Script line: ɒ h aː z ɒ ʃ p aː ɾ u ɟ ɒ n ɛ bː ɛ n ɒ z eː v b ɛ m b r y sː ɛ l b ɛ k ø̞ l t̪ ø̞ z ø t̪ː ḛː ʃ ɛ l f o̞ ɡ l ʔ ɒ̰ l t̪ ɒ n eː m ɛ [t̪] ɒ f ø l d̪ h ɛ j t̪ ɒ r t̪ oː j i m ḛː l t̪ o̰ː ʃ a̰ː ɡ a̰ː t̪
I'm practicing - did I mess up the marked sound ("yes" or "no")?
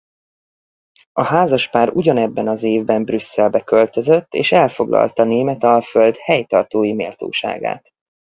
no